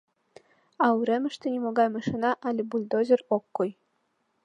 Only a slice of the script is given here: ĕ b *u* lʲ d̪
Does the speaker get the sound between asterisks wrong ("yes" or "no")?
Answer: no